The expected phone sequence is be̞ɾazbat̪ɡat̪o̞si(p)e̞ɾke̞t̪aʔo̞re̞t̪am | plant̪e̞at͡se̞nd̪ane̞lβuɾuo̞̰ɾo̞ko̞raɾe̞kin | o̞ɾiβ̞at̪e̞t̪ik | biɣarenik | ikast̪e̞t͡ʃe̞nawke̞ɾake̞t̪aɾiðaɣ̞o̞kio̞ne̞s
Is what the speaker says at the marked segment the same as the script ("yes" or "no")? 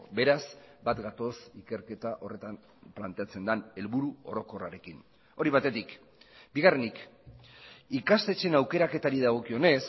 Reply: no